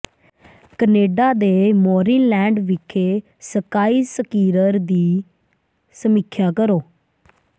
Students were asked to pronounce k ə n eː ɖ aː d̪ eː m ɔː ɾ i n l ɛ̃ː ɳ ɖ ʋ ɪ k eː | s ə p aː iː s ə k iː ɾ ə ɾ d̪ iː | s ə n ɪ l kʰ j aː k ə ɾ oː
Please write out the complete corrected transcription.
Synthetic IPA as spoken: k ə n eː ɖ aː d̪ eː m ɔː ɾ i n l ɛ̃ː ɳ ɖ ʋ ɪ kʰ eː | s ə k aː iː s ə k iː ɾ ə ɾ d̪ iː | s ə m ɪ kʰ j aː k ə ɾ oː